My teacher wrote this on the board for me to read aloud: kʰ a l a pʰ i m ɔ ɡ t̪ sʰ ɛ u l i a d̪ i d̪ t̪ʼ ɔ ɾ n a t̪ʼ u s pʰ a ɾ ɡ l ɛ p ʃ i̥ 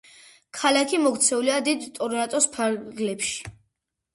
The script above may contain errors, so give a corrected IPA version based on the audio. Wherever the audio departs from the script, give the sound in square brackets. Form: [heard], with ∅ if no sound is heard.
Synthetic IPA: kʰ a l a [kʰ] i m ɔ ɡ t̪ sʰ ɛ u l i a d̪ i d̪ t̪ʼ ɔ ɾ n a t̪ʼ [ɔ] s pʰ a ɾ ɡ l ɛ p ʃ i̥